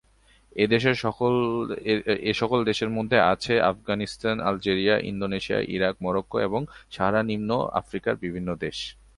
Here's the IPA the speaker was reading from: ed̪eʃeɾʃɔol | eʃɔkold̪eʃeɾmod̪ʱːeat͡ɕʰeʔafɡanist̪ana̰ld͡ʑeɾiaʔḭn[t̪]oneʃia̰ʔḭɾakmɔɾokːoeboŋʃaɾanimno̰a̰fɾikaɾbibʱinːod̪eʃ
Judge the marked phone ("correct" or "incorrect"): incorrect